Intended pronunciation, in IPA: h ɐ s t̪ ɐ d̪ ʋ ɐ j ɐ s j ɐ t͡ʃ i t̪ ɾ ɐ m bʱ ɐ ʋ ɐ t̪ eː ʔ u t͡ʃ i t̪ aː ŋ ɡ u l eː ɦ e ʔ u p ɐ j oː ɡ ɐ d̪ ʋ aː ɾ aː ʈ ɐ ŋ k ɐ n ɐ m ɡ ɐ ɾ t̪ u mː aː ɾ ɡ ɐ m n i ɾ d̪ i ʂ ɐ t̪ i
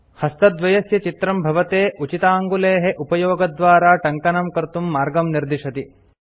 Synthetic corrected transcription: h ɐ s t̪ ɐ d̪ ʋ ɐ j ɐ s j ɐ t͡ʃ i t̪ ɾ ɐ m bʱ ɐ ʋ ɐ t̪ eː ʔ u t͡ʃ i t̪ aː ŋ ɡ u l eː ɦ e ʔ u p ɐ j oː ɡ ɐ d̪ ʋ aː ɾ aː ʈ ɐ ŋ k ɐ n ɐ m k ɐ ɾ t̪ u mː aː ɾ ɡ ɐ m n i ɾ d̪ i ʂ ɐ t̪ i